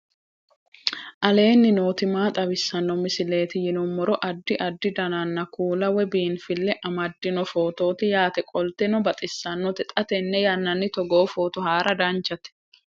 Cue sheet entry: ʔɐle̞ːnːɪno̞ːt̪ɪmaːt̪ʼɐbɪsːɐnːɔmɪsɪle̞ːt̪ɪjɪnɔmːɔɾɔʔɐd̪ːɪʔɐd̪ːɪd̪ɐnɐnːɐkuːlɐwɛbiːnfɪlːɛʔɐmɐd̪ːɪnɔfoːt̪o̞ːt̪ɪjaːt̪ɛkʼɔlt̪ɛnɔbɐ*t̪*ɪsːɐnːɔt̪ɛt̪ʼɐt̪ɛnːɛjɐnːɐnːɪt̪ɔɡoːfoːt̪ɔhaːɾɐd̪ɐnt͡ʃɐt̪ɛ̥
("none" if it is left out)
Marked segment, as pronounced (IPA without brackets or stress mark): t̪ʼ